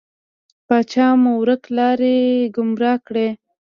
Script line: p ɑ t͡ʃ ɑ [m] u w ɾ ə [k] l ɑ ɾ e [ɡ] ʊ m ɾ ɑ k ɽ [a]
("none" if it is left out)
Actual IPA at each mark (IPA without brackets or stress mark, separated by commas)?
m, k, ɡ, e